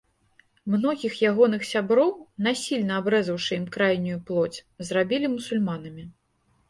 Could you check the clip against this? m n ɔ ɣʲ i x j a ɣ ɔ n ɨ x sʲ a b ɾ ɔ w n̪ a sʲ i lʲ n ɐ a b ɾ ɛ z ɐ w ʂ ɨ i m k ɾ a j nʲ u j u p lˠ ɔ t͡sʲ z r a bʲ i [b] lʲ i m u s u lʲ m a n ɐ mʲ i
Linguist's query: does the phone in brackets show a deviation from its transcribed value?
yes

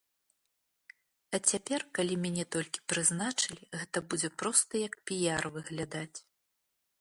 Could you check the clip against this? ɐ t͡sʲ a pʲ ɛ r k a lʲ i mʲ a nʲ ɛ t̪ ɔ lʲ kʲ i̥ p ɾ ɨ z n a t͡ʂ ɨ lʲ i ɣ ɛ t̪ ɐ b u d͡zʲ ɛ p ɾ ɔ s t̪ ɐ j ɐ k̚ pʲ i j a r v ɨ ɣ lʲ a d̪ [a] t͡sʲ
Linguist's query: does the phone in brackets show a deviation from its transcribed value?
no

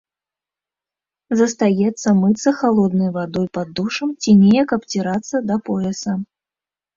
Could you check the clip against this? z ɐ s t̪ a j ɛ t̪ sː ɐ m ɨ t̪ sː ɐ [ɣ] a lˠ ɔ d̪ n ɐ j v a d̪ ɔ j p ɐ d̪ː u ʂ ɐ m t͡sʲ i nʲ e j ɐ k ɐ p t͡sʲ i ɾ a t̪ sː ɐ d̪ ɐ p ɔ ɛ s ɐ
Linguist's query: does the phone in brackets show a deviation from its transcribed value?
yes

